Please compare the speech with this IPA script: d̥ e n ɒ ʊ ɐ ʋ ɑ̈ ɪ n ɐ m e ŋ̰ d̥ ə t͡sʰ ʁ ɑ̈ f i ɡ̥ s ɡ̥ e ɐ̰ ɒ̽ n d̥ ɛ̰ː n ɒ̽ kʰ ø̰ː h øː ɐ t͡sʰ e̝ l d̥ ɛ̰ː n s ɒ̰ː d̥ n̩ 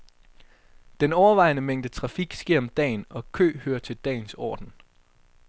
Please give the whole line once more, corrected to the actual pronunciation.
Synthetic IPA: d̥ e n ɒ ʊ ɐ ʋ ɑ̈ ɪ n ə m e ŋ̰ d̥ ə t͡sʰ ʁ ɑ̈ f i ɡ̥ s ɡ̥ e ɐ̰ ɒ̽ m d̥ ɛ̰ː n ɒ̽ kʰ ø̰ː h øː ɐ t͡sʰ e̝ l d̥ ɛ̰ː n s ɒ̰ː d̥ n̩